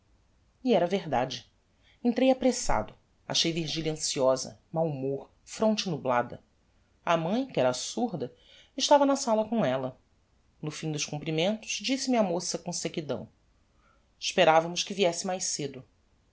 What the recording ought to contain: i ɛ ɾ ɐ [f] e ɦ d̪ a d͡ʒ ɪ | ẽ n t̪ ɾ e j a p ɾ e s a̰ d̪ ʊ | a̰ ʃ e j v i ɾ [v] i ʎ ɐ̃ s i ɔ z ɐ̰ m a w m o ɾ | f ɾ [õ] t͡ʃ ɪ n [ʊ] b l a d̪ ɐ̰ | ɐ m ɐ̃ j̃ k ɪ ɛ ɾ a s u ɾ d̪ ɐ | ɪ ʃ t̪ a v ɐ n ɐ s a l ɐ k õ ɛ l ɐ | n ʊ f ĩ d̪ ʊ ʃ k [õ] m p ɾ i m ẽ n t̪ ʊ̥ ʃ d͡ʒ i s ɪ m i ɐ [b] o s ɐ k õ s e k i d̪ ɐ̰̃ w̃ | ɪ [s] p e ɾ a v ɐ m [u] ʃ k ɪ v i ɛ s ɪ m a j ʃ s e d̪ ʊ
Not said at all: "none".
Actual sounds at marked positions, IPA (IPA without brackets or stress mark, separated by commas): v, ʒ, õ, u, ũ, m, ʃ, ʊ